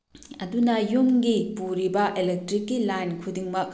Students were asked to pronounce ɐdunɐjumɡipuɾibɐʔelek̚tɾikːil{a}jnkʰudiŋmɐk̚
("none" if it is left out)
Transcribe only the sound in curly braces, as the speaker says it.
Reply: a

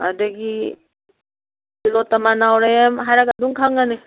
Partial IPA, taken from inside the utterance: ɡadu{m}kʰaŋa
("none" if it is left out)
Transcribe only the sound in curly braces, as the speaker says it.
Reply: ŋ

